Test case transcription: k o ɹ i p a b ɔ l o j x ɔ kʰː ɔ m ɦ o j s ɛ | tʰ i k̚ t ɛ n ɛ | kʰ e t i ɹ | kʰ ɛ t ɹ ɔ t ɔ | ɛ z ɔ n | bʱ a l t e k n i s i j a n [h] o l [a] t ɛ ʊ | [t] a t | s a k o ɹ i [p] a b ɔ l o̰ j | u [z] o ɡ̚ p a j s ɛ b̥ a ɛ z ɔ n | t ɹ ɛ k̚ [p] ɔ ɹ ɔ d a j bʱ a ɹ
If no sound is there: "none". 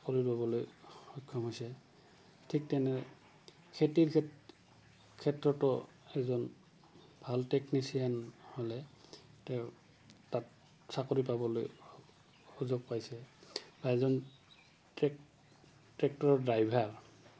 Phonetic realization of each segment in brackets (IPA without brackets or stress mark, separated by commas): h, ɛ, t, p, z, t